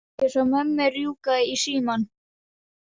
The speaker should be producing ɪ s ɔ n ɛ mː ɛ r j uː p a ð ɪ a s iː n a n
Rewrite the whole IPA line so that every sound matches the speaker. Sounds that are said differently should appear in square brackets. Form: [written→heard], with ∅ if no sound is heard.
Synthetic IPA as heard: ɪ s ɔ [n→m] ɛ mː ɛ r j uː [p→k] a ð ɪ [a→i] s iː [n→m] a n